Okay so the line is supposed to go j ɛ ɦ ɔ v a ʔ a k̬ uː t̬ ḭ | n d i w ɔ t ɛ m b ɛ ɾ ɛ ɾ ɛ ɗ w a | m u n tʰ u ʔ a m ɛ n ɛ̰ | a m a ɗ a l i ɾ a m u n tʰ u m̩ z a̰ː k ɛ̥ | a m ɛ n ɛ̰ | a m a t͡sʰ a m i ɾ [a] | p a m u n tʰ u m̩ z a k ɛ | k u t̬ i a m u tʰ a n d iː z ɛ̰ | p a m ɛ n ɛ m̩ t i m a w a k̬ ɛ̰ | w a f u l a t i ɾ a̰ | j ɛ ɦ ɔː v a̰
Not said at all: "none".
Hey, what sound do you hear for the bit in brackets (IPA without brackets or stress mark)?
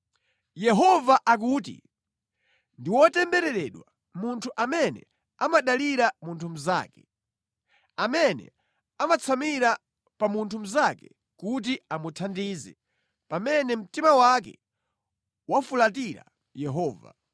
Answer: a